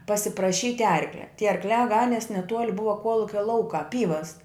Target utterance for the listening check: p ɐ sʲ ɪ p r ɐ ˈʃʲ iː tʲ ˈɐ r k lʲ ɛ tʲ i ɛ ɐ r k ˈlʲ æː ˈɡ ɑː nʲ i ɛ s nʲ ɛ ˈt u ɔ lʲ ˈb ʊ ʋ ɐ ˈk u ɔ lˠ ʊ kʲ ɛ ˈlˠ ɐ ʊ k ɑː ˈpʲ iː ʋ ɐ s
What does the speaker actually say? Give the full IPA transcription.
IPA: p ɐ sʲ ɪ p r ɐ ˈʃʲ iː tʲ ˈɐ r k lʲ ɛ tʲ i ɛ ɐ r k ˈlʲ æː ˈɡ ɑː nʲ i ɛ s nʲ ɛ ˈt u ɔ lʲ ˈb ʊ ʋ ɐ ˈk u ɔ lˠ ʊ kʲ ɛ ˈlˠ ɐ ʊ k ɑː ˈpʲ iː ʋ ɐ s